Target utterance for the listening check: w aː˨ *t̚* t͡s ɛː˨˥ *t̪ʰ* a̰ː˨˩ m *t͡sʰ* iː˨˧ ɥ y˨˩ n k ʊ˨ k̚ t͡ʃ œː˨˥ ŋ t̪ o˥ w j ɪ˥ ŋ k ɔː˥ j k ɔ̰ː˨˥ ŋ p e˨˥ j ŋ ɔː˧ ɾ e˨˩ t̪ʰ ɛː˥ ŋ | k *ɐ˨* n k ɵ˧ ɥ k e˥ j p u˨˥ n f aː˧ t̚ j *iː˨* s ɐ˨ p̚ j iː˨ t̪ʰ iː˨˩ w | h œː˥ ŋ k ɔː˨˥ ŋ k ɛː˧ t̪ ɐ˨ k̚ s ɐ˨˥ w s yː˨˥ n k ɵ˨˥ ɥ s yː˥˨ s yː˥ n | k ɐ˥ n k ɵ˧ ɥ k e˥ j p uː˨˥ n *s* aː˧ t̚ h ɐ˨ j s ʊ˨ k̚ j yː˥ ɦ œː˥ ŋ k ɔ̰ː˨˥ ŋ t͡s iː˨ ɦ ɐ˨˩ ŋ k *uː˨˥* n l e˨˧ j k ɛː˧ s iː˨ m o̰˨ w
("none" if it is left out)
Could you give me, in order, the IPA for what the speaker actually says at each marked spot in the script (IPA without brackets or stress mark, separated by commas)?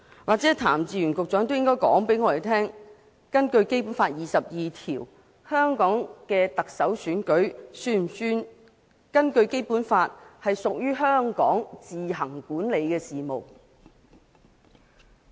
k̚, t̪ʰ, t͡s, ɐ˥, iː˨, f, uː˨˥